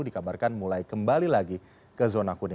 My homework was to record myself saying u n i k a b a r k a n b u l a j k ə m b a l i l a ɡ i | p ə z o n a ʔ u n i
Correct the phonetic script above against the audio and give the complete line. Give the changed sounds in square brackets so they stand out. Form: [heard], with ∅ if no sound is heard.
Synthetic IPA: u [d] i k a b a r k a n [m] u l a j k ə m b a l i l a ɡ i | [k] ə z o n a [k] u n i

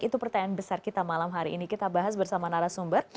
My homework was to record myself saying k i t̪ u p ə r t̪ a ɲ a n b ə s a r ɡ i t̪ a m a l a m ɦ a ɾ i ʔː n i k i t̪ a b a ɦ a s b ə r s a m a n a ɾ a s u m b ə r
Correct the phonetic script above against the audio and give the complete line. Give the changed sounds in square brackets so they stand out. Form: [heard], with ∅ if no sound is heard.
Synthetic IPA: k i t̪ u p ə r t̪ a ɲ a n b ə s a r [k] i t̪ a m a l a m ɦ a ɾ i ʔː n i k i t̪ a b a ɦ a s b ə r s a m a n a ɾ a s u m b ə r

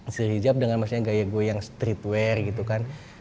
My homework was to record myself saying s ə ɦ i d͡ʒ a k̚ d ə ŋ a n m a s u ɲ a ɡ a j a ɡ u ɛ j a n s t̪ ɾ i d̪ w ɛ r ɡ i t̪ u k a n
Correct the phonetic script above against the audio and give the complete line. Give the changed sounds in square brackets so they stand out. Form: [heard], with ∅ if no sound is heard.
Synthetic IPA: s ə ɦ i d͡ʒ a [p̚] d ə ŋ a n m a s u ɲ a ɡ a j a ɡ u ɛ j a [ŋ] s t̪ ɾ i [t̪] w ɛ r ɡ i t̪ u k a n

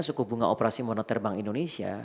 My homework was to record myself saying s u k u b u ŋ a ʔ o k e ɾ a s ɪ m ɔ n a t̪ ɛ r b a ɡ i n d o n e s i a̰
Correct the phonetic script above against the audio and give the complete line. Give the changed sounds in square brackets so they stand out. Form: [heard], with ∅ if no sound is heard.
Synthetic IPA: s u k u b u ŋ a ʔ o [p] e ɾ a s [i] m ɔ n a t̪ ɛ r b a [ŋ] i n d o n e s i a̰

